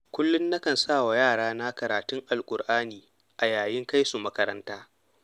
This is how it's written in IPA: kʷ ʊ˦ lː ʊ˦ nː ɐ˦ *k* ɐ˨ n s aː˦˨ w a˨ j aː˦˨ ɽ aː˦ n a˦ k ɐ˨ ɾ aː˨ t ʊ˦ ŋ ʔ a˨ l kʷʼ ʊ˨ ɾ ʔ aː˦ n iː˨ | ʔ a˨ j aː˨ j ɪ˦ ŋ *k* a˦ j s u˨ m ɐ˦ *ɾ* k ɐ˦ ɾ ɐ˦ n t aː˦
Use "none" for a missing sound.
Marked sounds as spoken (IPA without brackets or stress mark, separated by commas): k, k, none